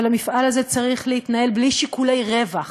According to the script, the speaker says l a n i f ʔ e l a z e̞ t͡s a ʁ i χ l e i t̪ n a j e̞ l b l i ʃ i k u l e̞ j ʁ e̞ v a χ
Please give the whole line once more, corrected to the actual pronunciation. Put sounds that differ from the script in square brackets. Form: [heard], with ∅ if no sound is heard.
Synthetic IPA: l a [m] i f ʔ [a] l a z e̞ t͡s a ʁ i χ l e i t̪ n a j e̞ l b l i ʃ i k u l e̞ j ʁ e̞ v a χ